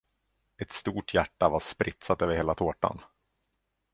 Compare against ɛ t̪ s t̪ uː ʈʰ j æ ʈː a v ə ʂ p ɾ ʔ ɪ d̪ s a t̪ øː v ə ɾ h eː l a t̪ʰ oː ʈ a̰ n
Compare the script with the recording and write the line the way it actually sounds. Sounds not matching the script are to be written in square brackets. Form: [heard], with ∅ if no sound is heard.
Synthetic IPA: ɛ t̪ s t̪ uː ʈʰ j æ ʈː a v [a] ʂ p ɾ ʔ ɪ [t̪] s a t̪ øː v ə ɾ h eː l a t̪ʰ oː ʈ a̰ n